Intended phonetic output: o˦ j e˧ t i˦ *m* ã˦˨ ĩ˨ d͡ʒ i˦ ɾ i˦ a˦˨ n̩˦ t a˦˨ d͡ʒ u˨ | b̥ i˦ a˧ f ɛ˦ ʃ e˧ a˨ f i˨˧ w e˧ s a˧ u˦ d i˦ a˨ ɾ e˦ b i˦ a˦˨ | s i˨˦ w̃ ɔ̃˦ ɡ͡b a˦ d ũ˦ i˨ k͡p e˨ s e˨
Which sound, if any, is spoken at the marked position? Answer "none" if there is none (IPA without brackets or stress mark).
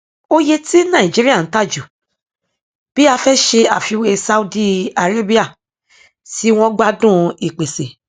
n